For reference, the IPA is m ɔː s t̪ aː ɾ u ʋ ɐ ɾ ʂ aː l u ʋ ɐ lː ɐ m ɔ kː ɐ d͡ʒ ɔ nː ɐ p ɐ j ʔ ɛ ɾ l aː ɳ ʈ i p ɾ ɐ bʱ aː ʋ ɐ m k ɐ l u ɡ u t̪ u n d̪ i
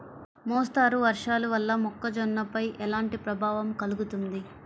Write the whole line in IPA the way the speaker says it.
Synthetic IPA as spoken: m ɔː s t̪ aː ɾ u ʋ ɐ ɾ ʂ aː l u ʋ ɐ lː ɐ m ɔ kː ɐ d͡ʒ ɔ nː ɐ p ɐ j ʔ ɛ l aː ɳ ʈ i p ɾ ɐ bʱ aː ʋ ɐ m k ɐ l u ɡ u t̪ u n d̪ i